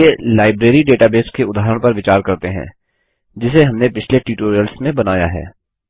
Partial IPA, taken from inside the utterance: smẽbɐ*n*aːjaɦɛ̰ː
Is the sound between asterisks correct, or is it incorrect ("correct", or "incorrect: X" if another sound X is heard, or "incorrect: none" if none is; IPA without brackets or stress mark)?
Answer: correct